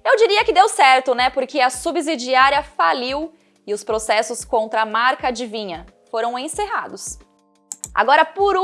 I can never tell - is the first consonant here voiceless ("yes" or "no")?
no